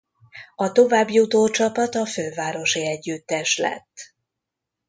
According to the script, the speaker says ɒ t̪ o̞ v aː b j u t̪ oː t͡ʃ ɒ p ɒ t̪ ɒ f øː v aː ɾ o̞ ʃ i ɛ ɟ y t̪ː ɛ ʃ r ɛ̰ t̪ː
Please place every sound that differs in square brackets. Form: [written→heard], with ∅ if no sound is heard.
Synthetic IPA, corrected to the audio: ɒ t̪ o̞ v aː b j u t̪ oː t͡ʃ ɒ p ɒ t̪ ɒ f øː v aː ɾ o̞ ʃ i ɛ [ɟ→ɟː] y t̪ː ɛ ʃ [r→l] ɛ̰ t̪ː